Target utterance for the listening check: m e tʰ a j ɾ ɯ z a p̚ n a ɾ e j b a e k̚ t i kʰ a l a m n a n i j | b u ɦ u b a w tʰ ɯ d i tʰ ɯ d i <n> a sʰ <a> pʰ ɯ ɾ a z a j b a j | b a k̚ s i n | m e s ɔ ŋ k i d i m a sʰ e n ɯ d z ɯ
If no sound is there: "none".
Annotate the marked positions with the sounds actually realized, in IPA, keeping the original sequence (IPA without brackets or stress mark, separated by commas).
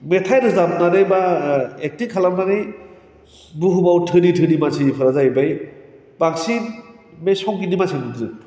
m, i